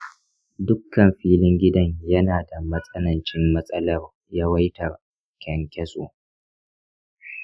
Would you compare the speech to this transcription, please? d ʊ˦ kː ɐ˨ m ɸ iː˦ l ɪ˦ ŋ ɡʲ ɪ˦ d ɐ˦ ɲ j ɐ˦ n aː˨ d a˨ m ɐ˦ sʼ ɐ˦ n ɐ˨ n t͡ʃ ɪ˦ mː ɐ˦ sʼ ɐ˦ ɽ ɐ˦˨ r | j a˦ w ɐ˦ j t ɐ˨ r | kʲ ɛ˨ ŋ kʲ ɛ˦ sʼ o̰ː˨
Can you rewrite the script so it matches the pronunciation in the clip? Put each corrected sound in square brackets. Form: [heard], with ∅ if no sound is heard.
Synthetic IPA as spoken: d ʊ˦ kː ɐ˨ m ɸ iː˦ l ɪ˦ ŋ ɡʲ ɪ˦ d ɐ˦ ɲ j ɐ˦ n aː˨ d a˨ m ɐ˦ sʼ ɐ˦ n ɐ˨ n t͡ʃ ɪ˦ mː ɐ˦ sʼ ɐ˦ [l] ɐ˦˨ r | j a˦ w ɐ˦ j t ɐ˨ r | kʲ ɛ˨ ŋ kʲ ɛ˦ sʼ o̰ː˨